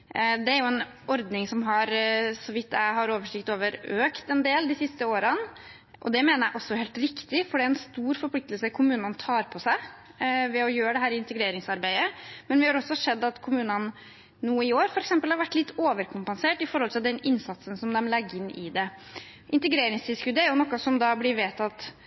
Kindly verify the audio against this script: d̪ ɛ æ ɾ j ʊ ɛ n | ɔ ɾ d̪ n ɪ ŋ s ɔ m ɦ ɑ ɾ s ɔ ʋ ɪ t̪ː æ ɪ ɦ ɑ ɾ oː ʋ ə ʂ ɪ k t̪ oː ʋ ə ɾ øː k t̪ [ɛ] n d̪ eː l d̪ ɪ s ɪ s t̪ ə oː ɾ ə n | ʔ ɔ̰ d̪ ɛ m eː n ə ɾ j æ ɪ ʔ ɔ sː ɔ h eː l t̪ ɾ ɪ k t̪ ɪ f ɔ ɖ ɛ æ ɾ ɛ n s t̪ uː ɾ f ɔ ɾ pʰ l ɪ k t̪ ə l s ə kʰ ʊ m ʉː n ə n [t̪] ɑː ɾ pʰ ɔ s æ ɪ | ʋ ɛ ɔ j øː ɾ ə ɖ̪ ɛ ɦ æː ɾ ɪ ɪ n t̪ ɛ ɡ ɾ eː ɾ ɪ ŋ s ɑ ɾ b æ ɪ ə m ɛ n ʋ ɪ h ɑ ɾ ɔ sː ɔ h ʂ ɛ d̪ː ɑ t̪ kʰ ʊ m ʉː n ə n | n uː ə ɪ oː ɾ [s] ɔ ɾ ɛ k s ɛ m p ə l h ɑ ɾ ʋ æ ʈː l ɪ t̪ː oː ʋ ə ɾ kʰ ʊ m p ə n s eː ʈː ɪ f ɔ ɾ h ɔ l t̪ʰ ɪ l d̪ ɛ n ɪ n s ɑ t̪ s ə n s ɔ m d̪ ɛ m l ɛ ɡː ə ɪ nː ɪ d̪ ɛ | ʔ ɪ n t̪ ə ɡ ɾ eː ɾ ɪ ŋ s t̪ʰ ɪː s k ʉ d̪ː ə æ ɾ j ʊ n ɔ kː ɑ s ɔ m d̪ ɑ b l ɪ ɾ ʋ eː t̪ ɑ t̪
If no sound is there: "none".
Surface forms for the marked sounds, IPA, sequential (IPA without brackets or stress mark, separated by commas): ɛ, t̪ʰ, f